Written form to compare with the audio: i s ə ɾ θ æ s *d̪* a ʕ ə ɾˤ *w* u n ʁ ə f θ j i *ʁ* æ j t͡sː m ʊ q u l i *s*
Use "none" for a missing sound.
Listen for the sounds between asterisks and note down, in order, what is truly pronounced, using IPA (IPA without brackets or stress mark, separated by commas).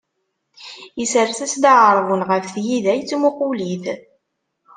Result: d̪, v, ð, θ